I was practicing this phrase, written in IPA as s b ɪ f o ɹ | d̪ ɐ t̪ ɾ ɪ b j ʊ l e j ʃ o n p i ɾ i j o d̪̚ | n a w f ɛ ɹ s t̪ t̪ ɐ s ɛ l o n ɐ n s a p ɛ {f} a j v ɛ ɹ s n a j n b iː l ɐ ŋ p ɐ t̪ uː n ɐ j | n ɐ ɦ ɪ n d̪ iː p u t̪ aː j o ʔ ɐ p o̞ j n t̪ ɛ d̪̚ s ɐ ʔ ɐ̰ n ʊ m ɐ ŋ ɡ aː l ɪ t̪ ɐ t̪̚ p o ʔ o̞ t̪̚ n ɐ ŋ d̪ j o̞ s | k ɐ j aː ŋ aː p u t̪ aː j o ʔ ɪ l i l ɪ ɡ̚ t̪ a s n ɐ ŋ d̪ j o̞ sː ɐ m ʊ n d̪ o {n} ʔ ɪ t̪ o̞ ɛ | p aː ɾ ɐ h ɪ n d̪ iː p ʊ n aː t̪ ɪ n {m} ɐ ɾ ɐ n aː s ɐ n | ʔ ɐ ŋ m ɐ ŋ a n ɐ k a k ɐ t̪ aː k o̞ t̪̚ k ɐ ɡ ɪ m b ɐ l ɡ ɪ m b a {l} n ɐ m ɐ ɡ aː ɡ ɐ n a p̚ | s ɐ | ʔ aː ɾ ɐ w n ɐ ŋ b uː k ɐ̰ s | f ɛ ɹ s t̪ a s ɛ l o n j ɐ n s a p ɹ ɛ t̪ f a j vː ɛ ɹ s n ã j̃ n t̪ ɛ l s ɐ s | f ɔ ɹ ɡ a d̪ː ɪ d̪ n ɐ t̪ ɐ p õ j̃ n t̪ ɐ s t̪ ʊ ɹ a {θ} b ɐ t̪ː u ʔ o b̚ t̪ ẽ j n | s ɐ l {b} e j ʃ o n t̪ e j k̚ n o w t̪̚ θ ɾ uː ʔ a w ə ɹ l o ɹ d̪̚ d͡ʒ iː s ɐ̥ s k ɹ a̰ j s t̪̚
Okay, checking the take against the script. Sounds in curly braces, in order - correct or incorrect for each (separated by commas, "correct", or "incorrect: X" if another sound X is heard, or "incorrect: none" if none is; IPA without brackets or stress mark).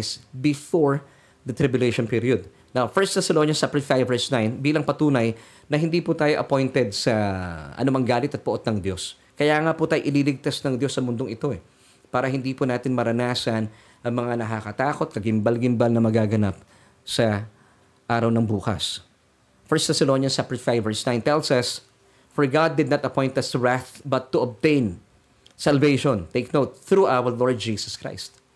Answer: correct, incorrect: ŋ, correct, correct, correct, incorrect: v